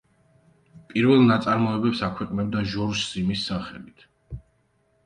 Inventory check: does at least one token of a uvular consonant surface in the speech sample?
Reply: yes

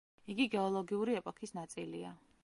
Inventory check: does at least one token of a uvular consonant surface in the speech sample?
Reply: no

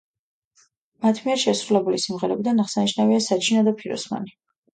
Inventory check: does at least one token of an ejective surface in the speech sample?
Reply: no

